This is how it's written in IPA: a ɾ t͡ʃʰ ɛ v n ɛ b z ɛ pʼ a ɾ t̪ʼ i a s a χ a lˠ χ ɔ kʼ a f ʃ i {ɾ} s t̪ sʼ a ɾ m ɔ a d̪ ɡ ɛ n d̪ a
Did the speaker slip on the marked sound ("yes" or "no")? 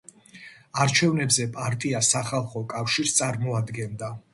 no